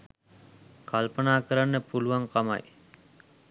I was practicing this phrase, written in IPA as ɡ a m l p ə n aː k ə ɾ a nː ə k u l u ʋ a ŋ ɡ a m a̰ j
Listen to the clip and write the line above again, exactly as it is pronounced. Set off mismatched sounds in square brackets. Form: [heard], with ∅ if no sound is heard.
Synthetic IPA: [k] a [∅] l p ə n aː k ə ɾ a nː ə [p] u l u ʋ a ŋ [k] a m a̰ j